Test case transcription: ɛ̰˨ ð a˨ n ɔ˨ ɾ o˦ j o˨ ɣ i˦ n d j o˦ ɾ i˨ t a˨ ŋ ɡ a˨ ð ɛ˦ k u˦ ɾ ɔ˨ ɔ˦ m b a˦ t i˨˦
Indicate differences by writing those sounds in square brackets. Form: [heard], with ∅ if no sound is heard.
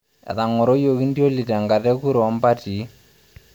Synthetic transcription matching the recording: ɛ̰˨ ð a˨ [ŋ] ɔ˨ ɾ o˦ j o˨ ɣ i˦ n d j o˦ [l] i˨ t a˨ ŋ ɡ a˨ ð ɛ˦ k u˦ ɾ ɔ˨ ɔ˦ m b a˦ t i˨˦